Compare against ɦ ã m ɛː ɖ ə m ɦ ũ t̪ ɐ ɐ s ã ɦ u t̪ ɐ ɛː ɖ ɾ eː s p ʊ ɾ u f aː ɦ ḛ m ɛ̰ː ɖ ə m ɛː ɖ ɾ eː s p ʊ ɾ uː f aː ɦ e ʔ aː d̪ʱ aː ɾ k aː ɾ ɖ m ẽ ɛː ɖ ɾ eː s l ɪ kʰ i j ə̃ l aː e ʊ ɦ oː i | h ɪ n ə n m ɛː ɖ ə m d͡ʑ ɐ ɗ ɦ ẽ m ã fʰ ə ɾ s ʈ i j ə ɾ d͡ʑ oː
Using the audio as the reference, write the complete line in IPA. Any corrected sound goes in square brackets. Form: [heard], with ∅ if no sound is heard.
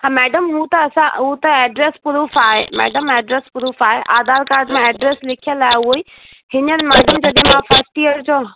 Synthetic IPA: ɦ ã m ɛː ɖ ə m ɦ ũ t̪ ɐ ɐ s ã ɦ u t̪ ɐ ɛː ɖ ɾ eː s p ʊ ɾ u f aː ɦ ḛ m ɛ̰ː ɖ ə m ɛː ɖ ɾ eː s p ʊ ɾ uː f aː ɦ e ʔ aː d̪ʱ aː ɾ k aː ɾ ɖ m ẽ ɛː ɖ ɾ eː s l ɪ kʰ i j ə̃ l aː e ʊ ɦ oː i | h ɪ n ə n m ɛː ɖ ə m d͡ʑ ɐ ɗ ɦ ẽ m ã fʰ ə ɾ s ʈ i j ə ɾ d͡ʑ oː

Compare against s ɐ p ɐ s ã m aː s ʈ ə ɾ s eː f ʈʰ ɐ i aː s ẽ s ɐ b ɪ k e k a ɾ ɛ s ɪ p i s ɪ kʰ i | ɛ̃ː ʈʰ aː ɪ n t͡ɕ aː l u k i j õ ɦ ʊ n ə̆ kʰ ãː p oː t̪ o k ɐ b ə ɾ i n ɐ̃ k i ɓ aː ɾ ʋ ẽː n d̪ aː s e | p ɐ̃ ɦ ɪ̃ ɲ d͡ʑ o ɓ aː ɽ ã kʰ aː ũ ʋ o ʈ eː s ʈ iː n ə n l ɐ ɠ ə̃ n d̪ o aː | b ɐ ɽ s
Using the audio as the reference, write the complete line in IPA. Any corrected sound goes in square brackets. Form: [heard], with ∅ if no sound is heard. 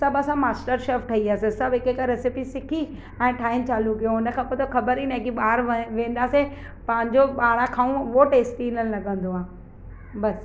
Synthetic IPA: s ɐ [b] ɐ s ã m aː s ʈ ə ɾ [ʃ] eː f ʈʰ ɐ i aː s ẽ s ɐ b ɪ k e k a ɾ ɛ s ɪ p i s ɪ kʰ i | ɛ̃ː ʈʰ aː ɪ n t͡ɕ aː l u k i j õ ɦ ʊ n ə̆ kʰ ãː p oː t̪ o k ɐ b ə ɾ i n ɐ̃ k i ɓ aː ɾ ʋ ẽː n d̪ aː s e | p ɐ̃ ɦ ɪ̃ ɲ d͡ʑ o ɓ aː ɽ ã kʰ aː ũ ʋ o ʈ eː s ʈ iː n ə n l ɐ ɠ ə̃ n d̪ o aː | b ɐ [∅] s

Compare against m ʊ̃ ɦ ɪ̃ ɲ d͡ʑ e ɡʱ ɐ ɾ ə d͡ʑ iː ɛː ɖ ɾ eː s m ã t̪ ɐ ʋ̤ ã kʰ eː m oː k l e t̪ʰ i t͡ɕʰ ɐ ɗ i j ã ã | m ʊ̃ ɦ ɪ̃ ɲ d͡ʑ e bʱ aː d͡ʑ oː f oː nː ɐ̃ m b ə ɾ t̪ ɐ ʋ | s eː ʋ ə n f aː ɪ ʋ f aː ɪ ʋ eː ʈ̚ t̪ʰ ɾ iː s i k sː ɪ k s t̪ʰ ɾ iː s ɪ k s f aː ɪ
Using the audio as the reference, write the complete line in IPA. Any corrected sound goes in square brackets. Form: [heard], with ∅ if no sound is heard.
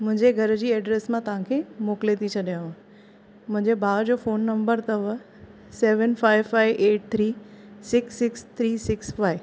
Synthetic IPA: m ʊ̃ ɦ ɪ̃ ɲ d͡ʑ e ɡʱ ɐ ɾ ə d͡ʑ iː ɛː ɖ ɾ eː s m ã t̪ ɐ ʋ̤ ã kʰ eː m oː k l e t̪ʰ i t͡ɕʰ ɐ ɗ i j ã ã | m ʊ̃ ɦ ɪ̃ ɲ d͡ʑ e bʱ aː d͡ʑ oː f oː nː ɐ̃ m b ə ɾ t̪ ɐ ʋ | s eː ʋ ə n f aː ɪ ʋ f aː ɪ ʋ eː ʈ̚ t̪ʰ ɾ iː s [ɪ] k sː ɪ k s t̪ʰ ɾ iː s ɪ k s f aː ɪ

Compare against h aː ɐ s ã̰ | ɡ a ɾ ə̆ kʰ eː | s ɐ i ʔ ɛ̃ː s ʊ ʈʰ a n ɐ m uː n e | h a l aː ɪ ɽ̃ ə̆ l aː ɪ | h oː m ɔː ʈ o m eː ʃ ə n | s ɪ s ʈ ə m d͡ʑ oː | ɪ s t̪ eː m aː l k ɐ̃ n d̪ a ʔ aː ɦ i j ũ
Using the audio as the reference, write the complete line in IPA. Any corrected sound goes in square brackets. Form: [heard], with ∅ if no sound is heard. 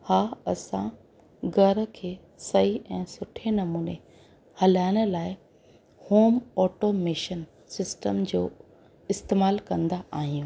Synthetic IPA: h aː ɐ s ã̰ | ɡ [ɐ] ɾ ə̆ kʰ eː | s ɐ i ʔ ɛ̃ː s ʊ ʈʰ [e] n ɐ m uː n e | h [ɐ] l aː ɪ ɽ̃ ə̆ l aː ɪ | h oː m ɔː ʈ o m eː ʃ ə n | s ɪ s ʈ ə m d͡ʑ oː | ɪ s t̪ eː m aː l k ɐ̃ n d̪ a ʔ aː ɦ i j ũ

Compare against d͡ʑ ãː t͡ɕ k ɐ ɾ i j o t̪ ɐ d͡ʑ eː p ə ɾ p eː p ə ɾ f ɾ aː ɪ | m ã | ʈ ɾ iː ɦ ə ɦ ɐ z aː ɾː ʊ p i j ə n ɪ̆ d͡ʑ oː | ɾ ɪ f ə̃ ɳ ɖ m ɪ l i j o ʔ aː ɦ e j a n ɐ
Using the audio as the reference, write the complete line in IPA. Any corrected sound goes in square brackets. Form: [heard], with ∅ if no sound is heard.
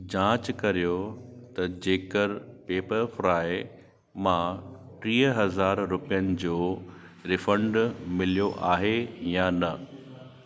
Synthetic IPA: d͡ʑ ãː t͡ɕ k ɐ ɾ i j o t̪ ɐ d͡ʑ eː [k] ə ɾ p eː p ə ɾ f ɾ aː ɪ | m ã | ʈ ɾ iː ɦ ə ɦ ɐ z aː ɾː ʊ p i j ə n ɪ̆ d͡ʑ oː | ɾ ɪ f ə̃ ɳ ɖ m ɪ l i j o ʔ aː ɦ e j a n ɐ

